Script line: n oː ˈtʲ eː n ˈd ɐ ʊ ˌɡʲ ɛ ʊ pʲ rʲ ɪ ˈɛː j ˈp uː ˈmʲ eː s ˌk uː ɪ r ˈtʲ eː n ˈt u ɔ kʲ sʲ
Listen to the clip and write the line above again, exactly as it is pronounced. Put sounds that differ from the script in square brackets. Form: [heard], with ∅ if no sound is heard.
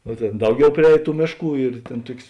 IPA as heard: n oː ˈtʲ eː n ˈd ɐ ʊ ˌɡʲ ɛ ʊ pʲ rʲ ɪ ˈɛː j [ˈt] uː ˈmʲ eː [ʃ] ˌk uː ɪ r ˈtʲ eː n ˈt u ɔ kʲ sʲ